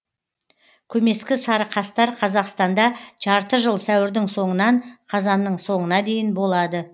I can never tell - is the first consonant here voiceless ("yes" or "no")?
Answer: yes